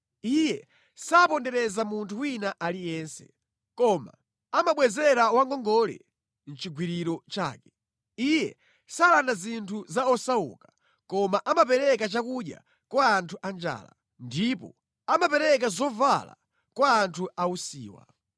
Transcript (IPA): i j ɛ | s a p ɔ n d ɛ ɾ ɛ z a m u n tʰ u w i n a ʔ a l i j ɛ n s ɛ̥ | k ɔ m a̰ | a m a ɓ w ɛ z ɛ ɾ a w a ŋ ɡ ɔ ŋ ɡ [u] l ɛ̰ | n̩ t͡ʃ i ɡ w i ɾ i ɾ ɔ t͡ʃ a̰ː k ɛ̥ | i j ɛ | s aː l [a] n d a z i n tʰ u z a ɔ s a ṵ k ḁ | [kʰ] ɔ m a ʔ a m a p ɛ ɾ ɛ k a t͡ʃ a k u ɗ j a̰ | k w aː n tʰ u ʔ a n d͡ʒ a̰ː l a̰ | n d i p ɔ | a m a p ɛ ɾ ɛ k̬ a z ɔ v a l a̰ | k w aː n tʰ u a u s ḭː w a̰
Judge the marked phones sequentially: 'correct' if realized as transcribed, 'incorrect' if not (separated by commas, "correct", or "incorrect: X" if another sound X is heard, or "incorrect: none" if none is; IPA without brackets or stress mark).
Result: incorrect: ɔ, correct, incorrect: k